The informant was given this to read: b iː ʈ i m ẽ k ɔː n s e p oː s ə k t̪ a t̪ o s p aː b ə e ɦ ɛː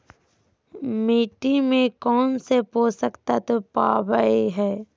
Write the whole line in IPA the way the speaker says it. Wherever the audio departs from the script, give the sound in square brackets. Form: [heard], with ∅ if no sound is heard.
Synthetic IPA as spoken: [m] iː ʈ i m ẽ k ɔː n s e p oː s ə k t̪ a t̪ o [∅] p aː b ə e ɦ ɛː